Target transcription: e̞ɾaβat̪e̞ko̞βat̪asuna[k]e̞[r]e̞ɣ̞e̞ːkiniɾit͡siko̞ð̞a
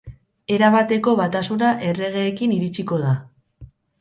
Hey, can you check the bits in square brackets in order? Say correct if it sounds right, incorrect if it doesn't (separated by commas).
incorrect, correct